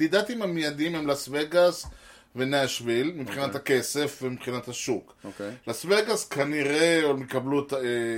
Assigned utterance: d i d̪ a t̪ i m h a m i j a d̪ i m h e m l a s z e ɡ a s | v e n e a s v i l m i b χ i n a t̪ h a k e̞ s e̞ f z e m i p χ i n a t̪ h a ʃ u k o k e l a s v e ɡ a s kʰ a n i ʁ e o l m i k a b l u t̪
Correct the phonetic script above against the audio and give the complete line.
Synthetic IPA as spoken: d i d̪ a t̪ i m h a m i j a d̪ i m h e m l a s v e ɡ a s | v e n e a ʃ v i l m i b χ i n a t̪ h a k e̞ s e̞ f v e m i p χ i n a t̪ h a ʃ u k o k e l a s v e ɡ a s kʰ a n i ʁ e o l m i k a b l u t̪